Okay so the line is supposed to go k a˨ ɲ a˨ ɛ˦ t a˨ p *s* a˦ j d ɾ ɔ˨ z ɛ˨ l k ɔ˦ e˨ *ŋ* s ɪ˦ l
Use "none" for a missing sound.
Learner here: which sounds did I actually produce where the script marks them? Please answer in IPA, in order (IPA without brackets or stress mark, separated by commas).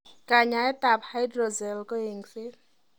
h, ŋ